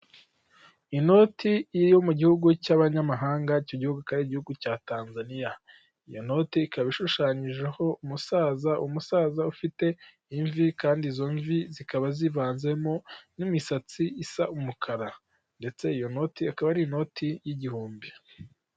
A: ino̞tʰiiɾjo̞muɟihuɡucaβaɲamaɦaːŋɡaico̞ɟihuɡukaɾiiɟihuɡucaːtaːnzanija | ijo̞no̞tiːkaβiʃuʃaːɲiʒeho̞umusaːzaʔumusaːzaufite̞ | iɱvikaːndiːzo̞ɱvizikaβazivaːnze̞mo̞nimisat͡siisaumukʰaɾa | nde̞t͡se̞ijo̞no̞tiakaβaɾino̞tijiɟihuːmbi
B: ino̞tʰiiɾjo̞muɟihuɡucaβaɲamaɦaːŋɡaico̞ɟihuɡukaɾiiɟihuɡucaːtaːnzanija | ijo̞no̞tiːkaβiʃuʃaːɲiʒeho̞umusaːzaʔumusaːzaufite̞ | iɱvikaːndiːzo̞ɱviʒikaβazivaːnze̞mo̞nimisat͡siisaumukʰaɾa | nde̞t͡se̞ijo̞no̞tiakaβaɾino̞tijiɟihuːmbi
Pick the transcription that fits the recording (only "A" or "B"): A